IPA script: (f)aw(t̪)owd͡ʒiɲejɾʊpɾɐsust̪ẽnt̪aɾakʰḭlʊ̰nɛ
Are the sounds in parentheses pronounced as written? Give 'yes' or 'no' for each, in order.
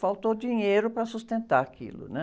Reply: yes, yes

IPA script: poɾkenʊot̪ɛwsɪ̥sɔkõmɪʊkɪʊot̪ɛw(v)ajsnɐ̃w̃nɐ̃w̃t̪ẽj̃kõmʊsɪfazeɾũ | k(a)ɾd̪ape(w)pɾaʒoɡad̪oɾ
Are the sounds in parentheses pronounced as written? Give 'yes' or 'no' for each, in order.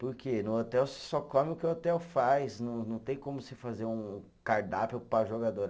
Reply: no, yes, yes

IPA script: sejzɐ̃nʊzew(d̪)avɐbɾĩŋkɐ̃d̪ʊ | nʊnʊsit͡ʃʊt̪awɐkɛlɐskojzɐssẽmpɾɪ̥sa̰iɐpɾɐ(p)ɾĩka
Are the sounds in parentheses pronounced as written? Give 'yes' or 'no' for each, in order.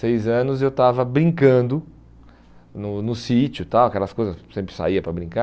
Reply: no, no

